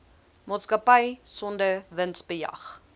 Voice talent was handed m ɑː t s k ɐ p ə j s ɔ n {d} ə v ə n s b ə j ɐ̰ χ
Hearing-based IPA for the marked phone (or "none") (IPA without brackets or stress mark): d